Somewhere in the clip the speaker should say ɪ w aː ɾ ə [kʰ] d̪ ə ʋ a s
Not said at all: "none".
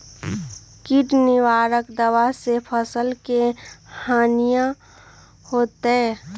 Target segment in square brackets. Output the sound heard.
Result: k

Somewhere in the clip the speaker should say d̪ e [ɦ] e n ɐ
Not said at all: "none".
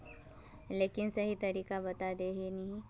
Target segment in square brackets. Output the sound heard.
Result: ɦ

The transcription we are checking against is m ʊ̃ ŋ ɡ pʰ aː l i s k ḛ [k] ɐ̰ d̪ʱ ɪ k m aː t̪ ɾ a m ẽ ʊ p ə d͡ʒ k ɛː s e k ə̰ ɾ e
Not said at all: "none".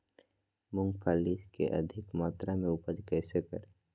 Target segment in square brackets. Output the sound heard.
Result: ʔ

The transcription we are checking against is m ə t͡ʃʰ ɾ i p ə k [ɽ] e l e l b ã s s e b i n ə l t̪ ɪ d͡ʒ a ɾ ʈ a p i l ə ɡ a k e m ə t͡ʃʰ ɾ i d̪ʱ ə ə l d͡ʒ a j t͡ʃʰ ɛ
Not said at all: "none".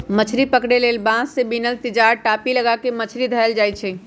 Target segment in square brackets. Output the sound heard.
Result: ɽ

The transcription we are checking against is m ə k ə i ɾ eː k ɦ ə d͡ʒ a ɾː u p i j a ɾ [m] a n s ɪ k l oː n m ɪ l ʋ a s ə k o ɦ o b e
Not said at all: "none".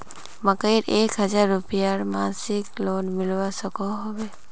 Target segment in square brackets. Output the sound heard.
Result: m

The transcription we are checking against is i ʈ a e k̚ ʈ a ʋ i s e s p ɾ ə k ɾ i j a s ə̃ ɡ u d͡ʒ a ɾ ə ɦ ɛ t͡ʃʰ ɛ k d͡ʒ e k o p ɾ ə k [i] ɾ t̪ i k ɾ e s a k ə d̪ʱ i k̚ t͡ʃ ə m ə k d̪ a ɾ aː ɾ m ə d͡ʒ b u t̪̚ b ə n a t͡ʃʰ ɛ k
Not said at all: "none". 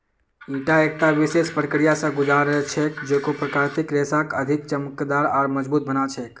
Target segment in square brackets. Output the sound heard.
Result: a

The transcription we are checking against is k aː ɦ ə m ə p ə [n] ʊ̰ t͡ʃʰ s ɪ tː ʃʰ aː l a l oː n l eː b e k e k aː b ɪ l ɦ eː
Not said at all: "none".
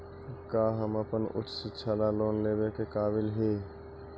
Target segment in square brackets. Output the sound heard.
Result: n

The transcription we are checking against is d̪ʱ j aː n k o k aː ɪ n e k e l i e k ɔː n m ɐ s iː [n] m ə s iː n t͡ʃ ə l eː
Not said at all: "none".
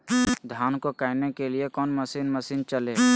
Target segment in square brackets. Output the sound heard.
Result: n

